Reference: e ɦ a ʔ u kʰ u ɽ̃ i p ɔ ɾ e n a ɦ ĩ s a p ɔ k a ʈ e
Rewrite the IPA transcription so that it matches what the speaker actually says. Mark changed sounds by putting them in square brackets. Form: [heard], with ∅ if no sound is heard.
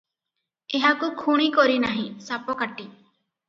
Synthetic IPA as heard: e ɦ a [k] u kʰ u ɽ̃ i [k] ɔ ɾ [i] n a ɦ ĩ s a p ɔ k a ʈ [i]